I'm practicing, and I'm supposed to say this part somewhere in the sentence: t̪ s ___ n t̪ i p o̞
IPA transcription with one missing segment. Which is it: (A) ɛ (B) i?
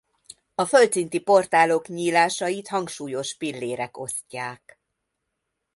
B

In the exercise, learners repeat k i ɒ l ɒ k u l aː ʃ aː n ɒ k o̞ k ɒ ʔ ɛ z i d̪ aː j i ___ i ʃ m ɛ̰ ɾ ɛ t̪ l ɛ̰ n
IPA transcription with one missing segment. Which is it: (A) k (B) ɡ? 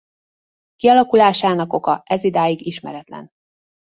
B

